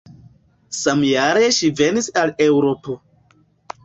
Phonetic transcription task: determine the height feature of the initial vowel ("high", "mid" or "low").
low